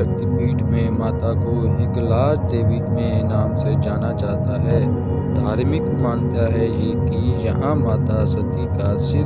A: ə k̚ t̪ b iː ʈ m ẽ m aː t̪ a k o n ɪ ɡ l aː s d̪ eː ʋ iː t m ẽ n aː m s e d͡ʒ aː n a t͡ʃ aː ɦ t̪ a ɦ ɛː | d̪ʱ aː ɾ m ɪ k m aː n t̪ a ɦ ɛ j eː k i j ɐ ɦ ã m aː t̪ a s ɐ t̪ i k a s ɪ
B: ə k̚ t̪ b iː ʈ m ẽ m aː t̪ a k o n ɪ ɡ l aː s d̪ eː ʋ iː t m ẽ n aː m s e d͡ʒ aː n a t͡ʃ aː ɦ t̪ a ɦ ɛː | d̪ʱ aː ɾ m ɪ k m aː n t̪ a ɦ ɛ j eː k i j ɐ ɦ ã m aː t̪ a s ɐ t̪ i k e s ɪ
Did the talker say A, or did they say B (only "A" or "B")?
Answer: A